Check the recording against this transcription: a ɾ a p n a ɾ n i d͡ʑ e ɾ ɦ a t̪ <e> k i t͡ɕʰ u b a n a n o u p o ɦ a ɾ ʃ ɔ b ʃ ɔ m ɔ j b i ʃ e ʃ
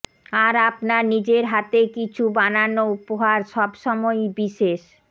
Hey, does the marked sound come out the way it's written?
yes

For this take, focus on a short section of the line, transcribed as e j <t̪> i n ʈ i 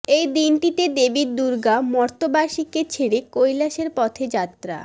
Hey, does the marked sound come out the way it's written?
no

